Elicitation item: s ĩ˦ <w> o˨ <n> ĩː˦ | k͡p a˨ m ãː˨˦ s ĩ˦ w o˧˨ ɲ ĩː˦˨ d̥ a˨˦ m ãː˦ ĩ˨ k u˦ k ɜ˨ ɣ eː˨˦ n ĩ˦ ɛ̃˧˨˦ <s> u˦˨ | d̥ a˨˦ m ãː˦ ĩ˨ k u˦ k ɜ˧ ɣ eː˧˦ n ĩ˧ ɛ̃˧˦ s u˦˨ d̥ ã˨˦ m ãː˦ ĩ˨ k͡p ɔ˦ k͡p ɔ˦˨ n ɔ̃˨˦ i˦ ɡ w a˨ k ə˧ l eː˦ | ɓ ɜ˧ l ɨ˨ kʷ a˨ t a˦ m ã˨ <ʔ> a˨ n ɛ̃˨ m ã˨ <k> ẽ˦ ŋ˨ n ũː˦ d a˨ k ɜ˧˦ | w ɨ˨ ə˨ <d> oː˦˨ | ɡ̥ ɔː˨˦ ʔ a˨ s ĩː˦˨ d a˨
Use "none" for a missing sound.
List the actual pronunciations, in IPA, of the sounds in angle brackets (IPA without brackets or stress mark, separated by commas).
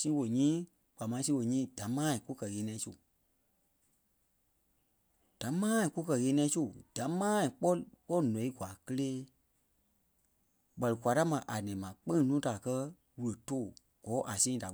w, ɲ, s, ʔ, k͡p, t